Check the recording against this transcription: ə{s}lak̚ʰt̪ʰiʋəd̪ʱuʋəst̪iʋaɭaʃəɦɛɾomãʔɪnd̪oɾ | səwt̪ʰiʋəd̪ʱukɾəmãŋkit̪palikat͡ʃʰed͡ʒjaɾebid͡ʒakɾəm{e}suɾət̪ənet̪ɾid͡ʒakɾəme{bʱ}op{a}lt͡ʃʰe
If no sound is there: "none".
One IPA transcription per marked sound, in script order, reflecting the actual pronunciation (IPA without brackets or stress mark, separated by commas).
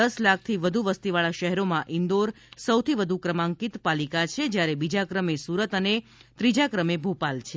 s, e, bʱ, a